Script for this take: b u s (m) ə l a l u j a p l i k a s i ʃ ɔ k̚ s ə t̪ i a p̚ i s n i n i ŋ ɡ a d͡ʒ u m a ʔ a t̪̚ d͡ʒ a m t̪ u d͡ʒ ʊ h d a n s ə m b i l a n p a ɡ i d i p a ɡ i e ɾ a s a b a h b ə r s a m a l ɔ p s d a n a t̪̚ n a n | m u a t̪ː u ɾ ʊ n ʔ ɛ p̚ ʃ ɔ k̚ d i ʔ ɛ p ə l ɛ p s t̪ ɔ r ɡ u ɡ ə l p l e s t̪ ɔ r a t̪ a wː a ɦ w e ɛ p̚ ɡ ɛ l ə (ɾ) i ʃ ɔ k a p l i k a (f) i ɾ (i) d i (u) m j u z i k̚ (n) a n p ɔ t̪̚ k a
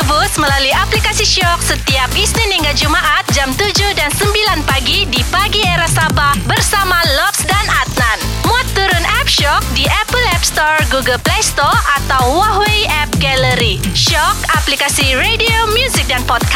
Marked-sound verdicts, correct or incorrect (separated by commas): correct, correct, incorrect, incorrect, incorrect, incorrect